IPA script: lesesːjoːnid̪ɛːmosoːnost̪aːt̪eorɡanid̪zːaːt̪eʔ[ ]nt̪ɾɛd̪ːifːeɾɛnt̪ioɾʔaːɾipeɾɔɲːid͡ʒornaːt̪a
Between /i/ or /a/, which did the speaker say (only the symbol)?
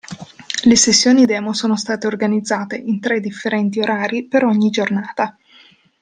i